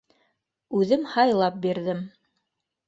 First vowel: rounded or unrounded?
rounded